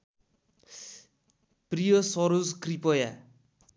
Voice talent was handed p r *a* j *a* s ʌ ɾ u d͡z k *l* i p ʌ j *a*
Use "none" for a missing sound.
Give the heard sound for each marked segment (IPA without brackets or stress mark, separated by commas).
i, ʌ, r, a